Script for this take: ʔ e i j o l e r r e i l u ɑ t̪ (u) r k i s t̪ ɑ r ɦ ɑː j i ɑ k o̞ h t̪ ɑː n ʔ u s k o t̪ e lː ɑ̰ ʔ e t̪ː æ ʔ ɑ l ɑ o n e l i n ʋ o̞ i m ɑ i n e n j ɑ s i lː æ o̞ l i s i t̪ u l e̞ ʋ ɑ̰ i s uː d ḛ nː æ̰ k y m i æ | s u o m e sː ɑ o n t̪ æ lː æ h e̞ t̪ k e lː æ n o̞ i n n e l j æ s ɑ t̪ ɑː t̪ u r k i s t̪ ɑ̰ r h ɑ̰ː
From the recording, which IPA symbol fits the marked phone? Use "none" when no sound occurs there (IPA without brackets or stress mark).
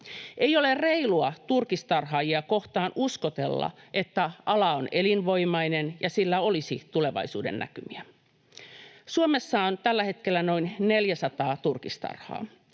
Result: u